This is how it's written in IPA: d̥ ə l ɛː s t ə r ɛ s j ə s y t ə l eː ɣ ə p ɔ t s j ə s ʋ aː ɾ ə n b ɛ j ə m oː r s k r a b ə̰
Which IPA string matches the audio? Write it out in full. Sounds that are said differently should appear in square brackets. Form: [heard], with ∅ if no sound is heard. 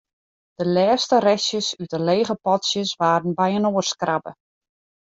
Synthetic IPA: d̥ ə l ɛː s t ə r ɛ s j ə s y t ə l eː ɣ ə p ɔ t s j ə s ʋ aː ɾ ə n b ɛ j ə [n] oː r s k r a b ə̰